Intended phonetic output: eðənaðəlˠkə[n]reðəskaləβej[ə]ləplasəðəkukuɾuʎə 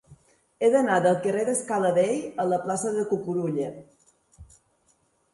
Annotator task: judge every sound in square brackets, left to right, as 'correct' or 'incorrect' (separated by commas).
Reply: incorrect, correct